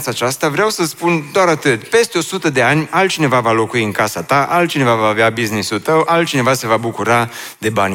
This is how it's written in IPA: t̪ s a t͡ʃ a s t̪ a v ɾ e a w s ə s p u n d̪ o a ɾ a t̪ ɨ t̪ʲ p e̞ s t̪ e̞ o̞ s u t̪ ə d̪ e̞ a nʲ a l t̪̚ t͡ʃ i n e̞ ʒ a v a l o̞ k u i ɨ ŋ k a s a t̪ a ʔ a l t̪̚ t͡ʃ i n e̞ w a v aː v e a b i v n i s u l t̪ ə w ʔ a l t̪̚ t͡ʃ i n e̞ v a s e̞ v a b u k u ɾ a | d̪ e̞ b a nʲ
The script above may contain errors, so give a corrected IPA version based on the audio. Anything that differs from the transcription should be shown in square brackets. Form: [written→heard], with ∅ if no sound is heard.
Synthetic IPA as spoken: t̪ s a t͡ʃ a s t̪ a v ɾ e a w s ə s p u n d̪ o a ɾ a t̪ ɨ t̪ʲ p e̞ s t̪ e̞ o̞ s u t̪ ə d̪ e̞ a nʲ a l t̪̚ t͡ʃ i n e̞ [ʒ→v] a v a l o̞ k u i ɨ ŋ k a s a t̪ a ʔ a l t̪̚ t͡ʃ i n e̞ [w→v] a v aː v e a b i [v→z] n i s u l t̪ ə w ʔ a l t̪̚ t͡ʃ i n e̞ v a s e̞ v a b u k u ɾ a | d̪ e̞ b a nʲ